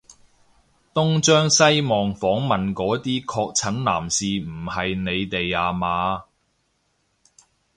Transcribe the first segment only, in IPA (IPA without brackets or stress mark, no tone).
t̪